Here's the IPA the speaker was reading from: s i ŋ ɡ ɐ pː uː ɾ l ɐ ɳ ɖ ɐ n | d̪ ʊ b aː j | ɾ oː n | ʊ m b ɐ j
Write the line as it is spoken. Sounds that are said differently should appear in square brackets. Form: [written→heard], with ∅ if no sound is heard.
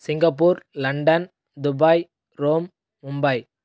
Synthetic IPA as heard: s [i→ɪ] ŋ ɡ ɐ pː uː ɾ l ɐ ɳ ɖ ɐ n | d̪ ʊ b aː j | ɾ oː [n→m] | ʊ m b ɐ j